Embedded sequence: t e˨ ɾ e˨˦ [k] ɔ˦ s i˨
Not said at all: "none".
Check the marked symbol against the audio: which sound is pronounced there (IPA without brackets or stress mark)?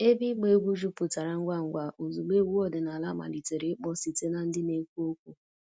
k͡p